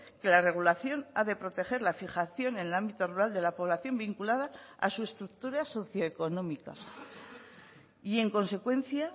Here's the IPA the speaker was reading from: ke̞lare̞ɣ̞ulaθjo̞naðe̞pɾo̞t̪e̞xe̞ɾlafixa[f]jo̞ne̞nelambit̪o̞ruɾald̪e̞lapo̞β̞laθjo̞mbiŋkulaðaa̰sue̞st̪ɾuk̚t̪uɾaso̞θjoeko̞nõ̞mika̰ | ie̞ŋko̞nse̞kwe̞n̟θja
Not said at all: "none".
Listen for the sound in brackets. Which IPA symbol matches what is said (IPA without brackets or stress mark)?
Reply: θ